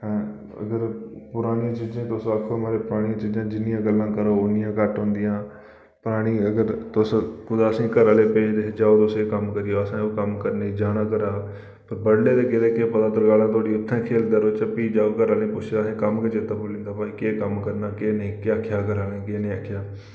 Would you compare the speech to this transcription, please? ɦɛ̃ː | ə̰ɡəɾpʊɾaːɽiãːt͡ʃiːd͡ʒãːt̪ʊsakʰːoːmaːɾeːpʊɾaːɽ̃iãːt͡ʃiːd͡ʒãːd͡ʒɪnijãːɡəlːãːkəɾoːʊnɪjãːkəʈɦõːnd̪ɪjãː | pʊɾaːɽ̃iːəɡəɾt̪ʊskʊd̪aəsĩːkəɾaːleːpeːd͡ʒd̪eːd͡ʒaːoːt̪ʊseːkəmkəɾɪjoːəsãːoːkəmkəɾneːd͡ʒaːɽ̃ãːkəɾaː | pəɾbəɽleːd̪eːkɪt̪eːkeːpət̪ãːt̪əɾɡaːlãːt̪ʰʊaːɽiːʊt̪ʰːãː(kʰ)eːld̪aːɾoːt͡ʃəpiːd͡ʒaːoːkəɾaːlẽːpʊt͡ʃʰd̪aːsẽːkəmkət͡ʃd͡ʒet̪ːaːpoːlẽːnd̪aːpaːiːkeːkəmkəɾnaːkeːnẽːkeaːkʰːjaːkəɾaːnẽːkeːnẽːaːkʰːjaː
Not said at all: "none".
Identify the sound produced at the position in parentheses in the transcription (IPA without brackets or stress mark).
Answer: kʰ